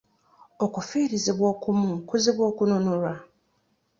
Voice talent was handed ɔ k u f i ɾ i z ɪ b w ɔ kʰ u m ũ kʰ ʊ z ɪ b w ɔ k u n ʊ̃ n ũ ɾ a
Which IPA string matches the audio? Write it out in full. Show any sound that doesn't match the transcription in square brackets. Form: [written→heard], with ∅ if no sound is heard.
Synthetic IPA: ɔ k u f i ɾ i z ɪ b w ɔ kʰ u m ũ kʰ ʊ z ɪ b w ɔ k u n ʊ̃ n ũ ɾ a